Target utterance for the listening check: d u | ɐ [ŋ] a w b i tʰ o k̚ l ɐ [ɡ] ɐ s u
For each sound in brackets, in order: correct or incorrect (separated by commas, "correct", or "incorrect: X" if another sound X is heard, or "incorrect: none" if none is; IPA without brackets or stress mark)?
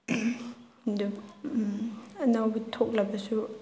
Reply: incorrect: n, incorrect: b